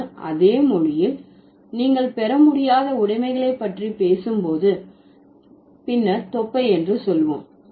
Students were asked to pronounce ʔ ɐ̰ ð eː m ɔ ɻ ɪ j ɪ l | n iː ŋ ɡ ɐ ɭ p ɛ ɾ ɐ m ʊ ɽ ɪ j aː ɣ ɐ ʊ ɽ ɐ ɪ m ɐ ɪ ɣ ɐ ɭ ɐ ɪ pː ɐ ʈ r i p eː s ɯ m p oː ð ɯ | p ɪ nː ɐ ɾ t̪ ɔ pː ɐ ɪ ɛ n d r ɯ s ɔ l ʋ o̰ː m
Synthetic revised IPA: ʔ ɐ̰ ð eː m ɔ ɻ ɪ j ɪ l | n iː ŋ ɡ ɐ ɭ p ɛ ɾ ɐ m ʊ ɽ ɪ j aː ð ɐ ʊ ɽ ɐ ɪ m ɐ ɪ ɣ ɐ ɭ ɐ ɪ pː ɐ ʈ r i p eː s ɯ m p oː ð ɯ | p ɪ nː ɐ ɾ t̪ ɔ pː ɐ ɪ ɛ n d r ɯ s ɔ l ʋ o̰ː m